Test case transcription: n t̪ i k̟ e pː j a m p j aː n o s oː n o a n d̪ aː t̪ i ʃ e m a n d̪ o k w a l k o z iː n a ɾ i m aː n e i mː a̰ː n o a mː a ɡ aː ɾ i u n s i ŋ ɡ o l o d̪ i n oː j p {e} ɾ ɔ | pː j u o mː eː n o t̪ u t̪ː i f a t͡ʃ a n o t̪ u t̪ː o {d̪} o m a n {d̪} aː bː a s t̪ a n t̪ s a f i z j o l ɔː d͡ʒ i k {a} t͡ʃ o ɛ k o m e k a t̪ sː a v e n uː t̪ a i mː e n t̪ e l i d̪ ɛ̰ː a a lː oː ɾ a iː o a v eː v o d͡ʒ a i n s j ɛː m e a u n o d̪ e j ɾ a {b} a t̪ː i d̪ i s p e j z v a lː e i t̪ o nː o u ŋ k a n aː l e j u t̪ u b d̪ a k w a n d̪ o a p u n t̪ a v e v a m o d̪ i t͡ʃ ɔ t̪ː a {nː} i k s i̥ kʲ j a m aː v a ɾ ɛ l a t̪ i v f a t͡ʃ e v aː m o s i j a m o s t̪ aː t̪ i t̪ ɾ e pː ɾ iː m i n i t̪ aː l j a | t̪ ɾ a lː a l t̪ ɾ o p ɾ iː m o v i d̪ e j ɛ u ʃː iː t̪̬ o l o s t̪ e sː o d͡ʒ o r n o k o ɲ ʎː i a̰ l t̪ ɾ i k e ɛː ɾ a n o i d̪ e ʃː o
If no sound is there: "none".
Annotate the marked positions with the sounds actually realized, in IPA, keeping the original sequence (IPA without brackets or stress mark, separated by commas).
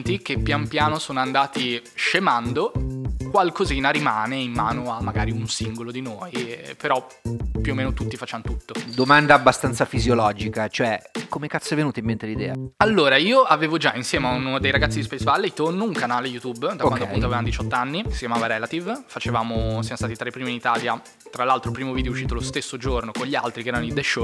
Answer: e, d̪, d̪, a, ɡ, nː